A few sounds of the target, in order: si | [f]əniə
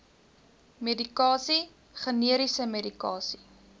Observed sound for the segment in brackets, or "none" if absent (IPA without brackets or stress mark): χ